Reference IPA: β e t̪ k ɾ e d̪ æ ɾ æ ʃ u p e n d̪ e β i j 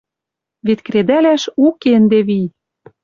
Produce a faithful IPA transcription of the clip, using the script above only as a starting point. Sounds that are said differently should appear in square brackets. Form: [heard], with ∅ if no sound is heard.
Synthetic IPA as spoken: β e t̪ k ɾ e d̪ æ [l] æ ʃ u [k] e n d̪ e β i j

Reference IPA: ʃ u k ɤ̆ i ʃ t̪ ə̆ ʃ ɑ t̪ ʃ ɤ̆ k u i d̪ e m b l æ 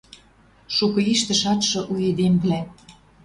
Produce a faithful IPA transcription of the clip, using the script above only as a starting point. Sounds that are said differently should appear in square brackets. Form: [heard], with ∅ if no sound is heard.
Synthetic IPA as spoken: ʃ u k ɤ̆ i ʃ t̪ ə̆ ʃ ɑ t̪ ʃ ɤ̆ [ʔ] u [e] d̪ e m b l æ

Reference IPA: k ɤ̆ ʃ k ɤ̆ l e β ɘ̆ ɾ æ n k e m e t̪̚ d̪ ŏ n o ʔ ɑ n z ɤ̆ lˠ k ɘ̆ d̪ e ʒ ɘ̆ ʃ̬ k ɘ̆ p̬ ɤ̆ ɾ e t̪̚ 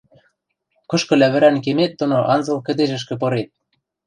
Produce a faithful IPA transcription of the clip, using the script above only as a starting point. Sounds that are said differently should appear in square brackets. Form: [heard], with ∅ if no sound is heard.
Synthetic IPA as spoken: k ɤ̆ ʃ k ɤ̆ l [æ] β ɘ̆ ɾ æ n k e m e t̪̚ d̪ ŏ n o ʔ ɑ n z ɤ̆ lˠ k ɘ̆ d̪ e ʒ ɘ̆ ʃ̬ k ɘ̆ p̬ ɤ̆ ɾ e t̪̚

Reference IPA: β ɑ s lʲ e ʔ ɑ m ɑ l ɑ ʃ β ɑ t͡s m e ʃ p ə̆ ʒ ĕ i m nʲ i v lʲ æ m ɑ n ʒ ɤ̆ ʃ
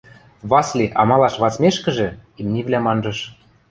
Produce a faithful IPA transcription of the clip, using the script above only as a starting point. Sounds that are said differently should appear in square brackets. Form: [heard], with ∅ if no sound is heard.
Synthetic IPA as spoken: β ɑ s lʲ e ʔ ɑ m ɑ l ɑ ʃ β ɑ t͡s m e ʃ [k] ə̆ ʒ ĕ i m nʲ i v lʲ æ m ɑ n ʒ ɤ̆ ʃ

